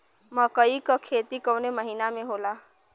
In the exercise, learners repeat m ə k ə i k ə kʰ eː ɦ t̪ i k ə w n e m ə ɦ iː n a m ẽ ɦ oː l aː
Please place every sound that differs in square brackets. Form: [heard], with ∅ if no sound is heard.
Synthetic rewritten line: m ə k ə i k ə kʰ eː [∅] t̪ i k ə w n e m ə ɦ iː n a m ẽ ɦ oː l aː